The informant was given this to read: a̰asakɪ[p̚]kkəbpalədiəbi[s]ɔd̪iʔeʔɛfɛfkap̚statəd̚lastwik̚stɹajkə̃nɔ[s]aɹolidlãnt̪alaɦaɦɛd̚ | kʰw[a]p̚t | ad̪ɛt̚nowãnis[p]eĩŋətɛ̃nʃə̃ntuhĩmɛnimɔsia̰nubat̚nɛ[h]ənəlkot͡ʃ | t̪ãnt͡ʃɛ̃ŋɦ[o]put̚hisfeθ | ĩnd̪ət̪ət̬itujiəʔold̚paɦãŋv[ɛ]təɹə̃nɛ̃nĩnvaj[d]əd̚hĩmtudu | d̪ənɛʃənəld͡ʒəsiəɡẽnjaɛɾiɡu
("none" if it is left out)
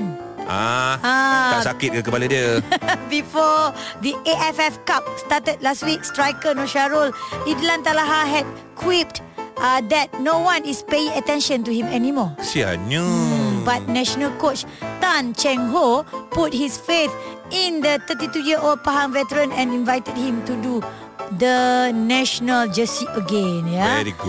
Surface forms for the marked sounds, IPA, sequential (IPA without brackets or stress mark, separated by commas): t̚, f, ʃ, i, p, ʃ, o, ɛ, t